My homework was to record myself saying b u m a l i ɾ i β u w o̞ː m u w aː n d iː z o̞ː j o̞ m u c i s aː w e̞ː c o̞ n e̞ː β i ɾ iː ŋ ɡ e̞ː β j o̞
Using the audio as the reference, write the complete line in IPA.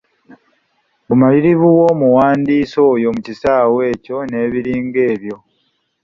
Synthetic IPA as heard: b u m a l i ɾ i β u w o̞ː m u w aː n d iː s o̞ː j o̞ m u c i s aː w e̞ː c o̞ n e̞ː β i ɾ iː ŋ ɡ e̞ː β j o̞